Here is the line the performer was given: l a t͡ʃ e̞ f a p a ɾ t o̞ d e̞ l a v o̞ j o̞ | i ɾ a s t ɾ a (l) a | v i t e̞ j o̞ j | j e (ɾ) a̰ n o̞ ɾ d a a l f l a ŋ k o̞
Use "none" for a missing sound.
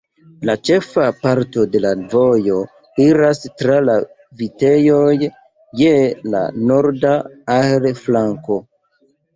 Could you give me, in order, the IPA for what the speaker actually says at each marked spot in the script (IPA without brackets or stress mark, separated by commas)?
l, l